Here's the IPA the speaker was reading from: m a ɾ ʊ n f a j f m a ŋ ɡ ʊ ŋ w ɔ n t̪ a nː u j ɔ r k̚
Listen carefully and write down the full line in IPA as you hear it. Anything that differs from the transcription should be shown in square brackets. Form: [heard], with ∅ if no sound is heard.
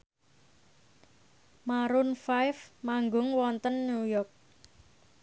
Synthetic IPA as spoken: m a ɾ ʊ n f a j f m a ŋ ɡ ʊ ŋ w ɔ n t̪ [ə] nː u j ɔ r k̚